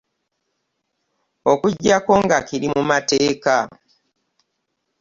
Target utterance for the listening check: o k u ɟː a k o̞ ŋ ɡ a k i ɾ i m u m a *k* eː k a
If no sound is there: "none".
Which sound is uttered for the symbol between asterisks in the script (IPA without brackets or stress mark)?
t